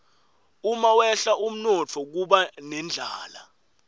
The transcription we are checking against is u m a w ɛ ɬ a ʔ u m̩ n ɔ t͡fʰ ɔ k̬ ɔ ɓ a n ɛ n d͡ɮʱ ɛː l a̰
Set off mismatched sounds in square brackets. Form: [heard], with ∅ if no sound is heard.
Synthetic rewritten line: u m a w ɛ ɬ a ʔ u m̩ n ɔ t͡fʰ ɔ k̬ [u] ɓ a n ɛ n d͡ɮʱ [aː] l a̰